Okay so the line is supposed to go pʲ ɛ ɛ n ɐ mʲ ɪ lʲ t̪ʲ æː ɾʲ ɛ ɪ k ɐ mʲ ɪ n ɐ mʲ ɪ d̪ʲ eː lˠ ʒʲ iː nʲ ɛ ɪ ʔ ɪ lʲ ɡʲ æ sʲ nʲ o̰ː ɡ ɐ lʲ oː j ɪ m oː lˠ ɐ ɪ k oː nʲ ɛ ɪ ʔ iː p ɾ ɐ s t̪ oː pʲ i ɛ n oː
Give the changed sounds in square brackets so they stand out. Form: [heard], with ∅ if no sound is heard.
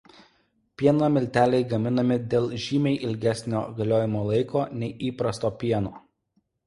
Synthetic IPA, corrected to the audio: pʲ [i] ɛ n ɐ mʲ ɪ lʲ t̪ʲ æː [lʲ] ɛ ɪ [ɡ] ɐ mʲ ɪ n ɐ mʲ ɪ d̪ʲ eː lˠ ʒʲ iː [mʲ] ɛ ɪ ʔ ɪ lʲ ɡʲ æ sʲ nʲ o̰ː ɡ ɐ lʲ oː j ɪ m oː lˠ ɐ ɪ k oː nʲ ɛ ɪ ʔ iː p ɾ ɐ s t̪ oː pʲ i ɛ n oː